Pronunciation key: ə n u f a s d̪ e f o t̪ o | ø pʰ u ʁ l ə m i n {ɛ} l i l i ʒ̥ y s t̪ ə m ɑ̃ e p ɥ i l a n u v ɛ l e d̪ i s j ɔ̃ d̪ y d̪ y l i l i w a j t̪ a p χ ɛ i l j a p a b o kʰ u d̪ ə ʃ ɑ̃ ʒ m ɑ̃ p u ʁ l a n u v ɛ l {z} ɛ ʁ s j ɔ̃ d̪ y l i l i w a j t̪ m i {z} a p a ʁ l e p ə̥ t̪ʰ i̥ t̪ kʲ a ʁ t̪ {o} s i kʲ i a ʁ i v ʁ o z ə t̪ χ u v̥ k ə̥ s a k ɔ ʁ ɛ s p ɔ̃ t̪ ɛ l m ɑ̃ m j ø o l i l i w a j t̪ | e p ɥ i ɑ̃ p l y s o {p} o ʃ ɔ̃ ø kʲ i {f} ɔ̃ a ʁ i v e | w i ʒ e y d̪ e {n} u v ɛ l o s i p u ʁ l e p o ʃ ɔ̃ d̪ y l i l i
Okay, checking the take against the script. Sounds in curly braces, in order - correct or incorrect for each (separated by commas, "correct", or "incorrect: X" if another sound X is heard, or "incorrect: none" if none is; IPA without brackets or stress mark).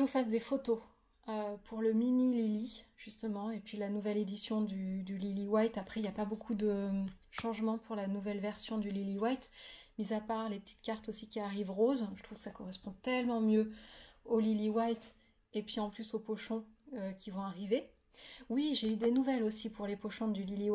incorrect: i, incorrect: v, correct, correct, correct, incorrect: v, correct